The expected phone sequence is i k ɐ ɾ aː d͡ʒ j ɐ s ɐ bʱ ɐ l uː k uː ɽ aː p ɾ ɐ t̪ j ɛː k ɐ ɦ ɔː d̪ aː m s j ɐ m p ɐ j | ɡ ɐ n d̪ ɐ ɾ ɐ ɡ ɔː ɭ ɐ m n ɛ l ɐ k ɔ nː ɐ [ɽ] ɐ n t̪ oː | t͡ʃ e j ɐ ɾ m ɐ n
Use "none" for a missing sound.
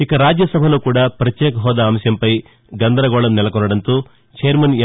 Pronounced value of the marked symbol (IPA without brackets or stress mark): ɽ